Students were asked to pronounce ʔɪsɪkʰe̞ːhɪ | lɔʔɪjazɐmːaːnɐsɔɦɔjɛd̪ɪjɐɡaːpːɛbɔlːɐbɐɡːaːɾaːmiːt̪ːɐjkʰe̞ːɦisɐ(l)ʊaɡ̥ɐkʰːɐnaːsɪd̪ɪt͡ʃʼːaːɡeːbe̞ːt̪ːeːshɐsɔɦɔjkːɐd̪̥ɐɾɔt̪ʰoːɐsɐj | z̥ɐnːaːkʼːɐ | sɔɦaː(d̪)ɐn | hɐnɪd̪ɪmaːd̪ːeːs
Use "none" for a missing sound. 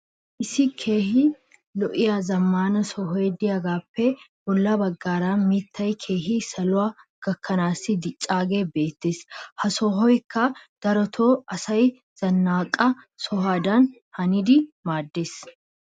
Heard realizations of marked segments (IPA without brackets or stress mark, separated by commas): l, d̪